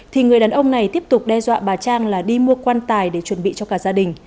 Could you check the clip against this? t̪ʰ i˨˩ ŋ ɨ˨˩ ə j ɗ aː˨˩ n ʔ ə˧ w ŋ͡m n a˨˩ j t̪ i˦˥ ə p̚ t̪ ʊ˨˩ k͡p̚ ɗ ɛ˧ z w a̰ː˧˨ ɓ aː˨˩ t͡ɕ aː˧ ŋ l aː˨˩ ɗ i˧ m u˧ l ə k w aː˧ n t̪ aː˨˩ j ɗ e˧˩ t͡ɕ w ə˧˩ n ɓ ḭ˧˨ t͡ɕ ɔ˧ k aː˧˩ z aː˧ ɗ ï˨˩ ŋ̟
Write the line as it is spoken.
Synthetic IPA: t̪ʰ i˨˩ ŋ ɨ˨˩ ə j ɗ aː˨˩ n ʔ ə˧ w ŋ͡m n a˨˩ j t̪ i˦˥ ə p̚ t̪ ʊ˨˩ k͡p̚ ɗ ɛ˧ z w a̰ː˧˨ ɓ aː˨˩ t͡ɕ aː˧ ŋ l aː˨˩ ɗ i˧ m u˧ ə k w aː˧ n t̪ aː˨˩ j ɗ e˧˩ t͡ɕ w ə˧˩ n ɓ ḭ˧˨ t͡ɕ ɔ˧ k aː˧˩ z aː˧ ɗ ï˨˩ ŋ̟